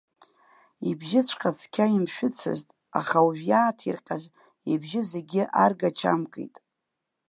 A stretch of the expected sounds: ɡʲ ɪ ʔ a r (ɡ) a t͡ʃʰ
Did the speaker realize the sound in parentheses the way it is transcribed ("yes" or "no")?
yes